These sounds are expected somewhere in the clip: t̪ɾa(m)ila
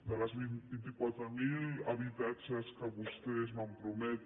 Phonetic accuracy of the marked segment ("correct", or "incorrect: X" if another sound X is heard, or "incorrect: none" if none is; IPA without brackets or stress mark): correct